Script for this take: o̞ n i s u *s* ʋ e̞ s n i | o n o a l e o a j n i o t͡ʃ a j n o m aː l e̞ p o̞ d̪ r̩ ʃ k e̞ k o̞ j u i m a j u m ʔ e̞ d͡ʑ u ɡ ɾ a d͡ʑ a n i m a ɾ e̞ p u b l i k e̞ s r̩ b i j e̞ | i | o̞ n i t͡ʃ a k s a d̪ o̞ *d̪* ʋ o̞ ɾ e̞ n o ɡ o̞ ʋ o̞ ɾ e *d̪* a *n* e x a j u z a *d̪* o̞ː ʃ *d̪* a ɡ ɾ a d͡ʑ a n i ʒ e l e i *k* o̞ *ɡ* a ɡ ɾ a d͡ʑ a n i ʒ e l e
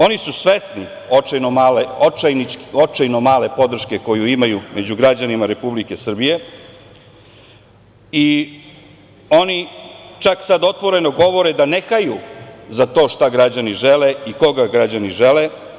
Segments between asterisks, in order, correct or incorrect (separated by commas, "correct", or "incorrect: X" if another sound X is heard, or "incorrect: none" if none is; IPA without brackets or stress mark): correct, incorrect: t̪, correct, correct, incorrect: t̪, incorrect: t̪, correct, correct